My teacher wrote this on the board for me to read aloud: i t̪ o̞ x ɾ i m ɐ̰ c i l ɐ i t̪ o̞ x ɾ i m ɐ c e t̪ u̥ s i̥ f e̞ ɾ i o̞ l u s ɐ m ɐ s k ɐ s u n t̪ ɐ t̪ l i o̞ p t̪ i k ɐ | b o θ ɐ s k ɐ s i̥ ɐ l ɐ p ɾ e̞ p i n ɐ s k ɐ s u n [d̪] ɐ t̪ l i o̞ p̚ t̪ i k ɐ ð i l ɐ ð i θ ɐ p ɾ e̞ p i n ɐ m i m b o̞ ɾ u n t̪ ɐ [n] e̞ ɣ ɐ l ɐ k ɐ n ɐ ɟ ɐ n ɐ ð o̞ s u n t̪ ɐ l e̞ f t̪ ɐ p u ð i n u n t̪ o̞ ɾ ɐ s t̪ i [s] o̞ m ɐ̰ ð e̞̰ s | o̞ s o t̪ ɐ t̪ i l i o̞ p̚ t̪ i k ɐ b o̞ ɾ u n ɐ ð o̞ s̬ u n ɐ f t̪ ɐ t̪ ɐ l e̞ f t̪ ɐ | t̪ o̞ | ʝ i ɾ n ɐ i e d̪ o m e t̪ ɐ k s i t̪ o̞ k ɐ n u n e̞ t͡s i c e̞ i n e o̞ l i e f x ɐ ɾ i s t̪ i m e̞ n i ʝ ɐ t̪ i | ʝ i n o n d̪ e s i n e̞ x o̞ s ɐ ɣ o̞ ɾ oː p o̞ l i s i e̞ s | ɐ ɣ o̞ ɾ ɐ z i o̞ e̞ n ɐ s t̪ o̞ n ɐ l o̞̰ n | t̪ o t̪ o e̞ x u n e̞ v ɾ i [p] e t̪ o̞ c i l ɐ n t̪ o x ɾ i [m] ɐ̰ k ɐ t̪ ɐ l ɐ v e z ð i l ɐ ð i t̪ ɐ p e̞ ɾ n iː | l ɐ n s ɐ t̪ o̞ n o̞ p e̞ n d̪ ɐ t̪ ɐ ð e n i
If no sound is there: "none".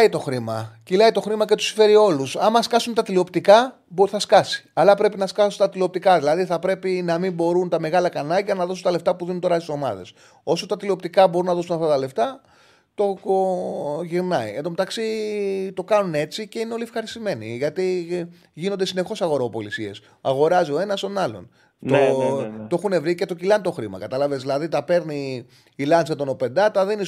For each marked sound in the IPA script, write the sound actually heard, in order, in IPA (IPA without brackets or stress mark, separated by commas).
t̪, m, s, c, m